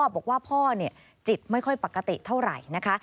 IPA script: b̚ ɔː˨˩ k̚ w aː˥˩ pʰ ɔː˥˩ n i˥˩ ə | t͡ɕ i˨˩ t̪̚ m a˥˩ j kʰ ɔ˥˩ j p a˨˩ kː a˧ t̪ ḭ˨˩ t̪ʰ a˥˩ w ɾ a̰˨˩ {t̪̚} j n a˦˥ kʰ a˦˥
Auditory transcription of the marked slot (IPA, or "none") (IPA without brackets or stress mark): none